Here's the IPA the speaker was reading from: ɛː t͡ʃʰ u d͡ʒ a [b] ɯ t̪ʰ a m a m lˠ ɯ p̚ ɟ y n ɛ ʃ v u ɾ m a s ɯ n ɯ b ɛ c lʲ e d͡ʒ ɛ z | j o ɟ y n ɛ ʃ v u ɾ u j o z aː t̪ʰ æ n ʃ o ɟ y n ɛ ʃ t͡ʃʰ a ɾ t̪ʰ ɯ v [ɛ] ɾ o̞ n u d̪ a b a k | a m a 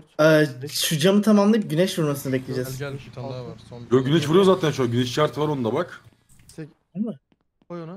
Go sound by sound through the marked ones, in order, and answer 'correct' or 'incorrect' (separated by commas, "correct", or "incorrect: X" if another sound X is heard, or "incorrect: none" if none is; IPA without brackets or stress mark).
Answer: incorrect: m, incorrect: a